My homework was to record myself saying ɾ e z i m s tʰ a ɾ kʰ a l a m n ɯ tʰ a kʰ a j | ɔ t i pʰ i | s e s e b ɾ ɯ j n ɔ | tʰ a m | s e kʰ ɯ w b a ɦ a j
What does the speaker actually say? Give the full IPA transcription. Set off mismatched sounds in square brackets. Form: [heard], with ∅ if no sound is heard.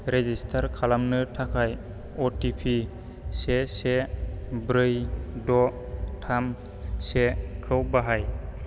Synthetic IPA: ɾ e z i [∅] s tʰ a ɾ kʰ a l a m n ɯ tʰ a kʰ a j | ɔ t i pʰ i | s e s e b ɾ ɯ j [d] ɔ | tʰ a m | s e kʰ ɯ w b a ɦ a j